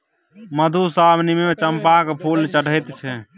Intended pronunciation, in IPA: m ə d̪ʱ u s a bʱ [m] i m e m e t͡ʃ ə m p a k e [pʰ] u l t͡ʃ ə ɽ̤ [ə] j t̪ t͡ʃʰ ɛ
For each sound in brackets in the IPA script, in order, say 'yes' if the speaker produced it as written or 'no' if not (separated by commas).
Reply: no, yes, yes